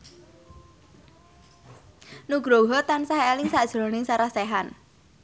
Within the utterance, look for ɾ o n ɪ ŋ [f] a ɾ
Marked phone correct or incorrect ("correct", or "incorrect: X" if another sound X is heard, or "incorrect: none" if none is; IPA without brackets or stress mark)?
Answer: incorrect: s